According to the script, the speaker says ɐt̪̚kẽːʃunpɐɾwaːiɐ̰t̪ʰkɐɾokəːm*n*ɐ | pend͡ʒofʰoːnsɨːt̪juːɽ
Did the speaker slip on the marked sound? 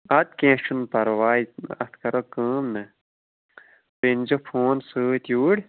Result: no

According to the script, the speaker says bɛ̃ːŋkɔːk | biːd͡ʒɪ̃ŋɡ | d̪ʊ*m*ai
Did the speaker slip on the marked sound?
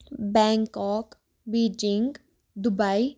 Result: yes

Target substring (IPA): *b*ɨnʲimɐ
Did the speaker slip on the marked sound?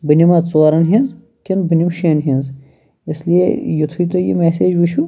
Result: no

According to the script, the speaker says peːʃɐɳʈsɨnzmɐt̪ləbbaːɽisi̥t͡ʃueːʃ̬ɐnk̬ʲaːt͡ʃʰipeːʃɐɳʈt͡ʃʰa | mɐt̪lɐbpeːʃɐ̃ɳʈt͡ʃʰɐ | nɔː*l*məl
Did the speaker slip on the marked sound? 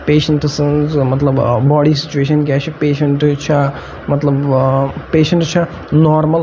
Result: yes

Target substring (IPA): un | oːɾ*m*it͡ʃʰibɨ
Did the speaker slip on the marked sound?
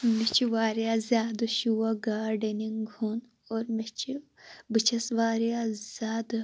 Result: no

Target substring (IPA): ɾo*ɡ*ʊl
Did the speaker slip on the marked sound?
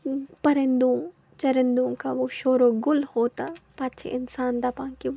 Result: no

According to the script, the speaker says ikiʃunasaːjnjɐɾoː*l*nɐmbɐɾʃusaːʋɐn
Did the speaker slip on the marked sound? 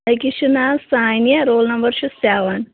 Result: no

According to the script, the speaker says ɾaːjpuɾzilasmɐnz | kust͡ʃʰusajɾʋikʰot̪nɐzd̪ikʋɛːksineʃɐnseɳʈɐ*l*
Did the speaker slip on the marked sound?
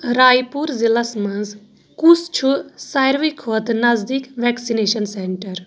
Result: yes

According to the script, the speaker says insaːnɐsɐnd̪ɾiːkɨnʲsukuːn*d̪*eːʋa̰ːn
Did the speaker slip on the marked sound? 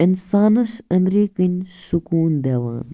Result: no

